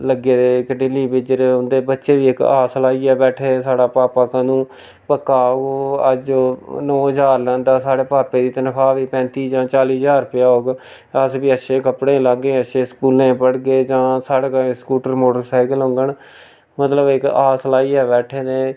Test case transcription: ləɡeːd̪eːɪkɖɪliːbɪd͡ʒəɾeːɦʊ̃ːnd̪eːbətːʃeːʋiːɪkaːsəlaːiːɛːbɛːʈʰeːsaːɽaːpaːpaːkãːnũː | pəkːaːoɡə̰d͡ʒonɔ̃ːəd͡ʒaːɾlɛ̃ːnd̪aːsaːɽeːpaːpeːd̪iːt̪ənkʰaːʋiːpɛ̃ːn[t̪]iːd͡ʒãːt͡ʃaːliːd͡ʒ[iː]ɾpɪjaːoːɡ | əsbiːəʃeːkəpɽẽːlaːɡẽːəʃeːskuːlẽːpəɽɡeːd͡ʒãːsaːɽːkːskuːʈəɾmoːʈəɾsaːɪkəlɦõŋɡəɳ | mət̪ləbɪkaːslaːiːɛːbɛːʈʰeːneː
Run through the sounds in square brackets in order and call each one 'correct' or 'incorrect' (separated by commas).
correct, incorrect